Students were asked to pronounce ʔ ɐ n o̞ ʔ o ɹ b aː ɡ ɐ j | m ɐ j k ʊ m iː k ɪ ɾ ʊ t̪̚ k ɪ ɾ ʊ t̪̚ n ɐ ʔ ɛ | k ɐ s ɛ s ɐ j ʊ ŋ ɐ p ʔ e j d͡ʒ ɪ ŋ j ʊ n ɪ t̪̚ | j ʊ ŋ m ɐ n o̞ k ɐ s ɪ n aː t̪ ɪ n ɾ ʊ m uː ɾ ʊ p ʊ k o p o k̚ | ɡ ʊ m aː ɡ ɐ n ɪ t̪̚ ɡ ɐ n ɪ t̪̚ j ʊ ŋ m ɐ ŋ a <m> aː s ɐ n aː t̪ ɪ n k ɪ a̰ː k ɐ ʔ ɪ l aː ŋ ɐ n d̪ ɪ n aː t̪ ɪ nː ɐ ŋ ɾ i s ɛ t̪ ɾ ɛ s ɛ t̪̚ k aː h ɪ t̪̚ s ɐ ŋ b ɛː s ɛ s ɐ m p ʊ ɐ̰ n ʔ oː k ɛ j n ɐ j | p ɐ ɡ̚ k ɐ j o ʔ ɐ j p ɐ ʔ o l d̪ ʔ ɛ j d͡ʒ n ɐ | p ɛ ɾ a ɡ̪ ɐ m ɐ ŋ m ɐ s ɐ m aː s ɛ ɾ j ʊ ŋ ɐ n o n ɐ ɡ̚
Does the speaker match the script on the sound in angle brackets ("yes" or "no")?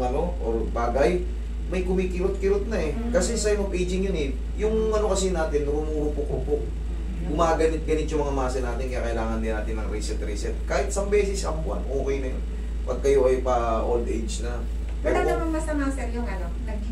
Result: yes